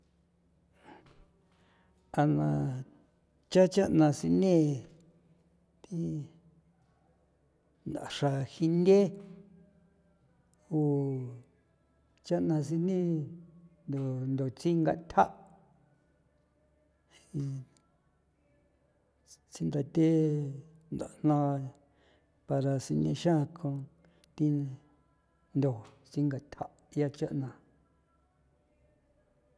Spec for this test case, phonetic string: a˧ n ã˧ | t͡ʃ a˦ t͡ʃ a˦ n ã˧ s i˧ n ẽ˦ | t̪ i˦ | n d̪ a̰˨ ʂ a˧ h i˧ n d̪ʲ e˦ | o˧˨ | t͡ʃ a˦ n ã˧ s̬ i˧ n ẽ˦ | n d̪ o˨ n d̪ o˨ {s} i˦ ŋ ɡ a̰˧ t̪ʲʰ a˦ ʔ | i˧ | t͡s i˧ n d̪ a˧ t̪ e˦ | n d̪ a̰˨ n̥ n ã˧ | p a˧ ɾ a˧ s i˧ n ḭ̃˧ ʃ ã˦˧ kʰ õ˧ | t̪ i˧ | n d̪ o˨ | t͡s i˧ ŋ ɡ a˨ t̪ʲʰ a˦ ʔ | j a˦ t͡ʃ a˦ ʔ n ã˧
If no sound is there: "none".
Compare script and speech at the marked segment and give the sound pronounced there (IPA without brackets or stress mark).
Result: t͡s